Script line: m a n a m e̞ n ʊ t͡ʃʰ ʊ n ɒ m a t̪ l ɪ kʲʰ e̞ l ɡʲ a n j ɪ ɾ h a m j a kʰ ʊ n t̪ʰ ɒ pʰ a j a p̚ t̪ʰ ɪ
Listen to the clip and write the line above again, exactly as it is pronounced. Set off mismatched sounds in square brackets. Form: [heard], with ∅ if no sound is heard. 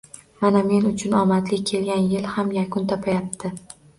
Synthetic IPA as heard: m a n a m e̞ n ʊ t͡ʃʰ ʊ n ɒ m a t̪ l ɪ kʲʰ e̞ l ɡʲ a n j ɪ [l] h a m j a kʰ ʊ n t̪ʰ ɒ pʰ a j a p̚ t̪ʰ ɪ